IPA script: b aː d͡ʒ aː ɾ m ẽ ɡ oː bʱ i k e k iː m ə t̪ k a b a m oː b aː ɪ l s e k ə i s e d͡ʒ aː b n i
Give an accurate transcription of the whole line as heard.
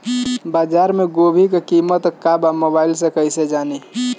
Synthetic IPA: b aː d͡ʒ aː ɾ m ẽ ɡ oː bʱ i k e k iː m ə t̪ k a b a m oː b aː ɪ l s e k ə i s e d͡ʒ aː n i

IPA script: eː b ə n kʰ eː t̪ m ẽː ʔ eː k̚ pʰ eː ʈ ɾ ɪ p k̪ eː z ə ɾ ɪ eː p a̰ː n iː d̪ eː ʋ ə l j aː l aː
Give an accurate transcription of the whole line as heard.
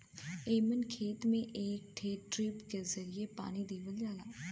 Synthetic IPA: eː m ə n kʰ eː t̪ m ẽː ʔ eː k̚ ʈʰ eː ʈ ɾ ɪ p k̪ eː z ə ɾ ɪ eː p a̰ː n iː d̪ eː ʋ ə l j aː l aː

